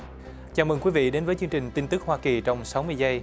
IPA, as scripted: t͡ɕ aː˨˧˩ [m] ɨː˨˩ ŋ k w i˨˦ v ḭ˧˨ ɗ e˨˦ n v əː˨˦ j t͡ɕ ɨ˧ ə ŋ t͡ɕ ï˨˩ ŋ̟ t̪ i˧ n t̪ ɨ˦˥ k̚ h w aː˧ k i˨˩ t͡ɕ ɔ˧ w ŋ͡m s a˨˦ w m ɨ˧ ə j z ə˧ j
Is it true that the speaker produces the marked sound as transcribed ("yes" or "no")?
yes